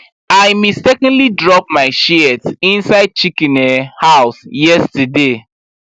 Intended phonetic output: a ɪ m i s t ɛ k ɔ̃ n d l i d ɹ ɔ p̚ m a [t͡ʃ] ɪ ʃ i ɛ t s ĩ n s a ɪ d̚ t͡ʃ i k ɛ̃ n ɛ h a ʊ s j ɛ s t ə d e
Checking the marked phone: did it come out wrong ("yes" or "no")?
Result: yes